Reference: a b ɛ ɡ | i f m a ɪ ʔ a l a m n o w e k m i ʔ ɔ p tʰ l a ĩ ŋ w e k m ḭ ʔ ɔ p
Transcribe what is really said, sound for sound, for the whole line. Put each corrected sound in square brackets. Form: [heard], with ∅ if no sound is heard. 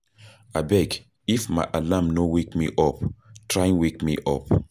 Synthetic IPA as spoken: a b ɛ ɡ | i f m a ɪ ʔ a l a m n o w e k m i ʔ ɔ p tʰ [ɹ] a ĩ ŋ w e k m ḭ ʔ ɔ p